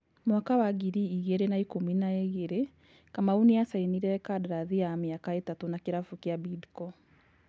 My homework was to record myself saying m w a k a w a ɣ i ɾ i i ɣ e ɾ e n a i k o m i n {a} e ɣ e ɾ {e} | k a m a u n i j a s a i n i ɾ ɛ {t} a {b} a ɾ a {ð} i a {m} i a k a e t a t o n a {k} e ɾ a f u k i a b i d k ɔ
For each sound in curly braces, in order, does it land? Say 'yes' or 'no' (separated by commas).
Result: yes, yes, no, no, yes, yes, yes